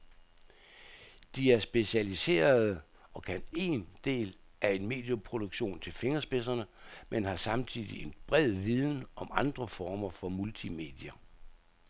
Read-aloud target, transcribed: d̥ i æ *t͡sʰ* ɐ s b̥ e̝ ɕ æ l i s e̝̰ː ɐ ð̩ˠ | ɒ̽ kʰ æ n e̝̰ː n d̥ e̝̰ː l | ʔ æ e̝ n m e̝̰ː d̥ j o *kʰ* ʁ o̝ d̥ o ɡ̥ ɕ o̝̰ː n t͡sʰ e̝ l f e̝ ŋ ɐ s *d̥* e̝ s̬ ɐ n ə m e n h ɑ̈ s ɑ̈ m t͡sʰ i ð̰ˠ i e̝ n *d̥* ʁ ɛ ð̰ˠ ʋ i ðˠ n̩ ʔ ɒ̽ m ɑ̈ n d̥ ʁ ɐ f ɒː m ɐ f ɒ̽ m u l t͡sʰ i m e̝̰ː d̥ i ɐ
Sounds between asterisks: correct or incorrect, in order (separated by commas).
incorrect, incorrect, incorrect, incorrect